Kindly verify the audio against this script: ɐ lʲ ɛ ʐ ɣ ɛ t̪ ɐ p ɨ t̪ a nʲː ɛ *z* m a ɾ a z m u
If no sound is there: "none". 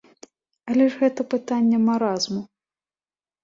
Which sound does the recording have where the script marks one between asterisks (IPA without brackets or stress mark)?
none